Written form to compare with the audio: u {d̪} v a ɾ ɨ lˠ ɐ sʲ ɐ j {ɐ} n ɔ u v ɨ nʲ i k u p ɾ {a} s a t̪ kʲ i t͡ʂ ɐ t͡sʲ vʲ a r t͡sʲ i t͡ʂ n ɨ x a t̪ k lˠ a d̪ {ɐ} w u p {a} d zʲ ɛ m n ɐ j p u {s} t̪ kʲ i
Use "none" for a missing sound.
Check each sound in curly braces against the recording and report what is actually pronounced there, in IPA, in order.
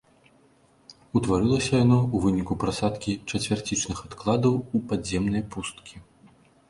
t̪, a, a, ɐ, a, s

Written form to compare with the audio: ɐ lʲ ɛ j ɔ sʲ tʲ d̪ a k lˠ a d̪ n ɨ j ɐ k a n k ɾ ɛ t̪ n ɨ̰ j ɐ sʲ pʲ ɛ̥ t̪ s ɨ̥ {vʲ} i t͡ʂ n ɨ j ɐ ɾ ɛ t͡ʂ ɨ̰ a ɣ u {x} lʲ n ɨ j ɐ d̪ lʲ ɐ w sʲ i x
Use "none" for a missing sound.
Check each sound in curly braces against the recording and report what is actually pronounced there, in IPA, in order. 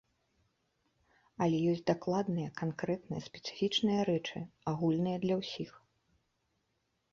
fʲ, none

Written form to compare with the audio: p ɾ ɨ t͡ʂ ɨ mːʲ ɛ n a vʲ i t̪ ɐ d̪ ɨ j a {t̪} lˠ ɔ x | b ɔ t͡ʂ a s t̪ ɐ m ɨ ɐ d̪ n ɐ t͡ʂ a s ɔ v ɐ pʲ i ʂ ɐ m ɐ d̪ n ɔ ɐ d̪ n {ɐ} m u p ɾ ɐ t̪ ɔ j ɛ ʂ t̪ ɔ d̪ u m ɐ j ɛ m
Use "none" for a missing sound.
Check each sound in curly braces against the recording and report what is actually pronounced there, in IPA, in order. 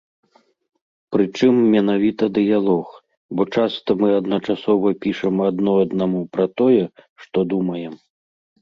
none, a

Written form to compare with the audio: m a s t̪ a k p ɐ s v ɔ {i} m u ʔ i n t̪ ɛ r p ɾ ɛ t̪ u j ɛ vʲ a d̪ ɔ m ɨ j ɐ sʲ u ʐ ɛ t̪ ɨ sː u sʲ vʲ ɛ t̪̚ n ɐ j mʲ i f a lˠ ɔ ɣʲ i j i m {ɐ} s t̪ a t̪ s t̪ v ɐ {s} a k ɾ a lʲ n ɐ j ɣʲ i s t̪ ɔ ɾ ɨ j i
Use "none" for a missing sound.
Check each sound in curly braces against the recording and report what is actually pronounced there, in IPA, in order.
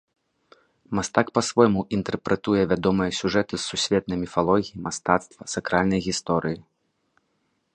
j, a, s

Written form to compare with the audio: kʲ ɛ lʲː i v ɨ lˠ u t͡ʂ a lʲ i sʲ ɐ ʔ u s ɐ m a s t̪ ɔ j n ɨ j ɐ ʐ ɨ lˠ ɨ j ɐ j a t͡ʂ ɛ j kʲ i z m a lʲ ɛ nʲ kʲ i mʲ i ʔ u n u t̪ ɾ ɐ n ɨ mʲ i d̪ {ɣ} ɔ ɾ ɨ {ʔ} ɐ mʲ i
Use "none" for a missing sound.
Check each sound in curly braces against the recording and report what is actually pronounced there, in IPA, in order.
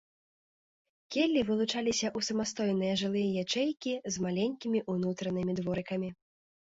v, k

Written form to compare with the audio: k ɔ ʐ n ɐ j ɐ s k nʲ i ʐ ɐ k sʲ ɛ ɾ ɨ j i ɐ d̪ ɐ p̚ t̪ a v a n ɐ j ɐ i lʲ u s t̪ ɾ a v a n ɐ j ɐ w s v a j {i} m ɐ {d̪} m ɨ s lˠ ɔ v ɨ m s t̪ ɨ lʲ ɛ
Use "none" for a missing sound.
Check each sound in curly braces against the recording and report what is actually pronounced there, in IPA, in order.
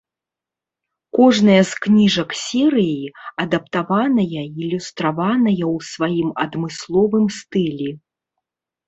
i, d̪

